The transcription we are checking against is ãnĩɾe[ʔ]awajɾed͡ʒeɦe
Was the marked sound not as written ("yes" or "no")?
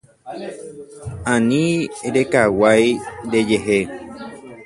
yes